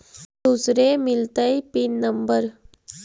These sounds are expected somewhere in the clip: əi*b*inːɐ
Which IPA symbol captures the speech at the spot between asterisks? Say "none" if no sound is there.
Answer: p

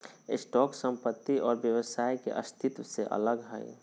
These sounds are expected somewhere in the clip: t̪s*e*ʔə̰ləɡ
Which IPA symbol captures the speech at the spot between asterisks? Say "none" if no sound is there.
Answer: e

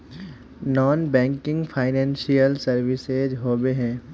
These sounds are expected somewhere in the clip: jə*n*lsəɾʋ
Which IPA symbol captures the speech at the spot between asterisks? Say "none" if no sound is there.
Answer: none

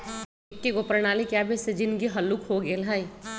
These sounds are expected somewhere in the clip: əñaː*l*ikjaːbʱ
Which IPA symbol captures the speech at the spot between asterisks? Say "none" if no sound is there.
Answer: l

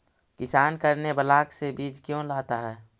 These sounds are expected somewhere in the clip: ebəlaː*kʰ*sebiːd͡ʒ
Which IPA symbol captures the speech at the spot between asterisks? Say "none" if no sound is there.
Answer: k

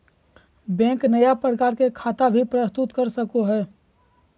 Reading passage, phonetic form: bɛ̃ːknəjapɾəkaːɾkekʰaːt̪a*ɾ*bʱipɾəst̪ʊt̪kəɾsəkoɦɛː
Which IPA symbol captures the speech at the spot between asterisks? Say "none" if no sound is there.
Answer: none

